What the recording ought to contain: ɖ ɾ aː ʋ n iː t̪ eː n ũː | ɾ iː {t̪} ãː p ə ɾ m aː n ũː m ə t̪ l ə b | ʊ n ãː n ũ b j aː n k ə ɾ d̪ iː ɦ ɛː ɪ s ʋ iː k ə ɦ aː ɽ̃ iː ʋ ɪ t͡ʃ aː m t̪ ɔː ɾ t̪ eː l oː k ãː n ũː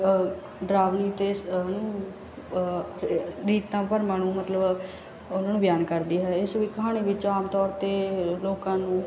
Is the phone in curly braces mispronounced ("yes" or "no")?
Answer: no